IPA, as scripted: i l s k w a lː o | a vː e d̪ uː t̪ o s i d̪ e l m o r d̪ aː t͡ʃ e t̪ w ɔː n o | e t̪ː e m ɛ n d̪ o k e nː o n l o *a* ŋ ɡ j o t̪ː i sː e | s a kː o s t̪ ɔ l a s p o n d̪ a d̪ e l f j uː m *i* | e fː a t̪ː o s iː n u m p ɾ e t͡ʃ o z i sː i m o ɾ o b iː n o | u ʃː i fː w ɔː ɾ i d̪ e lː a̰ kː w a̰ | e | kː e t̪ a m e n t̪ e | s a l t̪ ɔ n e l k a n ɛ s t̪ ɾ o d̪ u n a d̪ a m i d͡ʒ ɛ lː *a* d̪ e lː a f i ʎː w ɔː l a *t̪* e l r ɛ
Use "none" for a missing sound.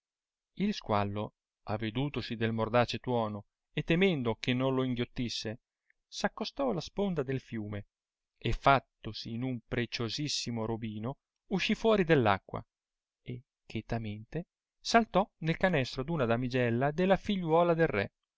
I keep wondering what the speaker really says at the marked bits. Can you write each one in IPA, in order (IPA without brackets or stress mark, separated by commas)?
i, e, a, d̪